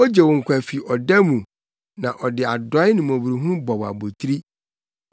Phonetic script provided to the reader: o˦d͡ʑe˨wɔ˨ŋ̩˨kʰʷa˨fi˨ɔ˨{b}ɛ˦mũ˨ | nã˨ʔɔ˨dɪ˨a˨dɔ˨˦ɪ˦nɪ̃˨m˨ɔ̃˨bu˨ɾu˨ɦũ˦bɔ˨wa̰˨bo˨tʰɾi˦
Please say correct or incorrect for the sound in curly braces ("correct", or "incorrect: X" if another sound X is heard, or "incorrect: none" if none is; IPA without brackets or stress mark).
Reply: incorrect: d